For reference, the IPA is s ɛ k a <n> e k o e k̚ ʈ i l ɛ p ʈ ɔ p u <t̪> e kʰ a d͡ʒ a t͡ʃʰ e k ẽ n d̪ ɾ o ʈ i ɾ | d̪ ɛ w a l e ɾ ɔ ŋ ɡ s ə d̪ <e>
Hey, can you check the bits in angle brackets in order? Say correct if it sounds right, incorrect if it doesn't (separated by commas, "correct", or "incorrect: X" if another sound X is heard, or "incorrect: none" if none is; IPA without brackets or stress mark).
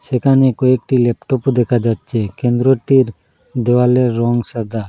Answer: correct, incorrect: d̪, incorrect: a